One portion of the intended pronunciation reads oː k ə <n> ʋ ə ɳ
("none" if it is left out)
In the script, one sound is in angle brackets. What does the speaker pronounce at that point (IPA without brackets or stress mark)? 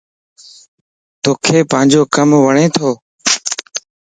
m